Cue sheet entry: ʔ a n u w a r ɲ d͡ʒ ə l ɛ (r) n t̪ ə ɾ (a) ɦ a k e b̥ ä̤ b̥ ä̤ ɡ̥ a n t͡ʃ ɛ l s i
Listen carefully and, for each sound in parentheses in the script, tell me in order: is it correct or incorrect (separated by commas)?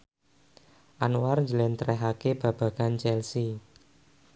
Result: incorrect, incorrect